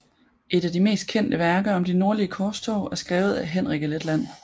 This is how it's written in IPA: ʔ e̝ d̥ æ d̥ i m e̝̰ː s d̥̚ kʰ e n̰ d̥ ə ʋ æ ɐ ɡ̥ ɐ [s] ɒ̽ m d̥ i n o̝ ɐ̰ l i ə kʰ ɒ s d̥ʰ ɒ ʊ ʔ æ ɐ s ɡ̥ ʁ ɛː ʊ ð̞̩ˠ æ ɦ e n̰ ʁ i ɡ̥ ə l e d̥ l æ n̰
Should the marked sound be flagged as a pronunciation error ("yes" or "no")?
yes